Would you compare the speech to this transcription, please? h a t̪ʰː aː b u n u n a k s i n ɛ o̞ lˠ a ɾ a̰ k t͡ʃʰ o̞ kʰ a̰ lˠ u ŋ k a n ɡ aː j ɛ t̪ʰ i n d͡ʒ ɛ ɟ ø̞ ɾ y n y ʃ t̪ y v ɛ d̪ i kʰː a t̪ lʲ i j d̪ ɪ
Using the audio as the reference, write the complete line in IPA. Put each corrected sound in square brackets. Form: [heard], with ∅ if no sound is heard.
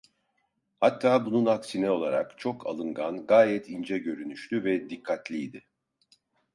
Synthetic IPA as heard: h a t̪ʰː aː b u n u n a k s i n ɛ o̞ lˠ a ɾ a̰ k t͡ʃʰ o̞ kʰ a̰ lˠ [ɯ] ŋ [ɡ] a n ɡ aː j ɛ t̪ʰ i n d͡ʒ ɛ ɟ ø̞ ɾ y n y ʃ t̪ y v ɛ d̪ i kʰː a t̪ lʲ i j d̪ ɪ

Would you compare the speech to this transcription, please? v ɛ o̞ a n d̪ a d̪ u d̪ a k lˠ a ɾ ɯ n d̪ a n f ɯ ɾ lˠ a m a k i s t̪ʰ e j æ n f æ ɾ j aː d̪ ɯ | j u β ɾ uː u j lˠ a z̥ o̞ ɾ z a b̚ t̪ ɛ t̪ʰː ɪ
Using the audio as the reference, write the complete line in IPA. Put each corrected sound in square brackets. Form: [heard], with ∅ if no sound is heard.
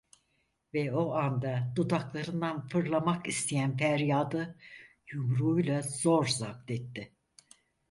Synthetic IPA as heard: v ɛ o̞ a n d̪ a d̪ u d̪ a k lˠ a ɾ ɯ n d̪ a n f ɯ ɾ lˠ a m a k i s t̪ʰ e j æ n f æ ɾ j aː d̪ ɯ | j u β ɾ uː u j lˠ a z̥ o̞ ɾ z a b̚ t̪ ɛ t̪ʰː ɪ

